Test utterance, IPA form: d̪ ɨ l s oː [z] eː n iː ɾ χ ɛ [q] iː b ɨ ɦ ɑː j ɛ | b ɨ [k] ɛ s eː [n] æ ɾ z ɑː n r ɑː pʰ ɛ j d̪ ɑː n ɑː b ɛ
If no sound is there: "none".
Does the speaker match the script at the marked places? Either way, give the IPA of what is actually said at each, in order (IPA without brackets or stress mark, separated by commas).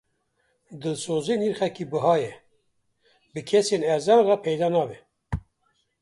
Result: z, k, kʰ, n